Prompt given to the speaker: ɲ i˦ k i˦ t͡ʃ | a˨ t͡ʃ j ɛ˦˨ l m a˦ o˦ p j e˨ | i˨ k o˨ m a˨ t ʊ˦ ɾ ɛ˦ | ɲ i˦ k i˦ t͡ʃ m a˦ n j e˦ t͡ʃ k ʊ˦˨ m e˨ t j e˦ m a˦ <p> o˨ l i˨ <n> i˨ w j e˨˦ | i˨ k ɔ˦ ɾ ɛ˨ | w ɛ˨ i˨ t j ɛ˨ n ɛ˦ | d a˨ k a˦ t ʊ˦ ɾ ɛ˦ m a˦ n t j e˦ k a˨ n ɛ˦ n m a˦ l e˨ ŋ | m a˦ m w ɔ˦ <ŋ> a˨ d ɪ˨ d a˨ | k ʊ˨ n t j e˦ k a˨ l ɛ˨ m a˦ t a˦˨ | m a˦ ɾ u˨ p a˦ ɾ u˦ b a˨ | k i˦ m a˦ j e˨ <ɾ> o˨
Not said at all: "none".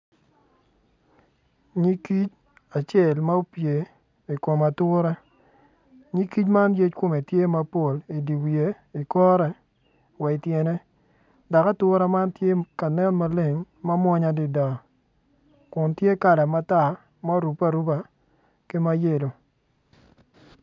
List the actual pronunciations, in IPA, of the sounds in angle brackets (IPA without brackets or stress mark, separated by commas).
p, d, ɲ, l